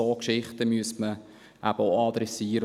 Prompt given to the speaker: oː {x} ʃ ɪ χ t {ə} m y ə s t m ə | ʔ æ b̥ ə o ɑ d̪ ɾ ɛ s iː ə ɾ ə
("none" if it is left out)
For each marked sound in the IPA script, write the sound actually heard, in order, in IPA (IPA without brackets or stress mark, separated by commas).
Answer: k, ə